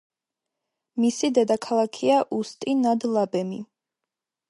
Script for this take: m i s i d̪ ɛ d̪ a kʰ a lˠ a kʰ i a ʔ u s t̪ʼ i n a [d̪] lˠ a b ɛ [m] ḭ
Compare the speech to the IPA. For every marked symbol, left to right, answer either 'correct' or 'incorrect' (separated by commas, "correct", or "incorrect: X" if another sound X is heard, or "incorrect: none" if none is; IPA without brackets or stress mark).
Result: correct, correct